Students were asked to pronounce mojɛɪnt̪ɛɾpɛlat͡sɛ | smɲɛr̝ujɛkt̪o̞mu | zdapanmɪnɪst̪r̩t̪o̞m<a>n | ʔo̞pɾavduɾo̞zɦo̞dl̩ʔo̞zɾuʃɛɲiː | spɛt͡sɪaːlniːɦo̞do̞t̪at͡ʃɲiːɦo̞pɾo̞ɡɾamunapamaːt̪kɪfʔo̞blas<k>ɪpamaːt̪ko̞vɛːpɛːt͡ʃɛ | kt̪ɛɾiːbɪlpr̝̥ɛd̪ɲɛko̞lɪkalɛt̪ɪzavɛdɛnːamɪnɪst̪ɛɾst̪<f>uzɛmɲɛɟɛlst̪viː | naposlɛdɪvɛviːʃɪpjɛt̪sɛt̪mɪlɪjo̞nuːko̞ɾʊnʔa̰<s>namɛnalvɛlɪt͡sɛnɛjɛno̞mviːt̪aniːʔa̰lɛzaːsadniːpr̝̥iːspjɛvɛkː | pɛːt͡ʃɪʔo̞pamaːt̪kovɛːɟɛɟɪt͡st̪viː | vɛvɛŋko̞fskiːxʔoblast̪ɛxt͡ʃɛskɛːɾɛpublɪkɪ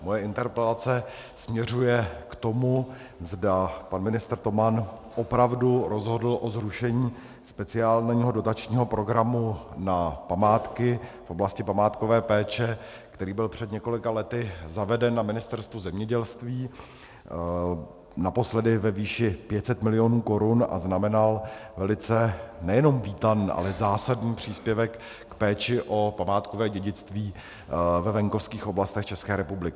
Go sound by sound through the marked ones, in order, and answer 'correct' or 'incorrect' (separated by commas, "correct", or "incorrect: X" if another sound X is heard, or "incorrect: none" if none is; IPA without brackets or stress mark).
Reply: correct, incorrect: c, incorrect: v, incorrect: z